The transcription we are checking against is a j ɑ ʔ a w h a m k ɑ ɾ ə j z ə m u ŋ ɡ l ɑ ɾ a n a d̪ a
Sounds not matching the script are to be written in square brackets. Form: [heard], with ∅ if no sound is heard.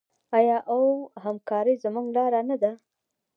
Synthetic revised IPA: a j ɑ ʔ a w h a m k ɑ ɾ ə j z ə m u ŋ ɡ l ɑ ɾ a n a d̪ a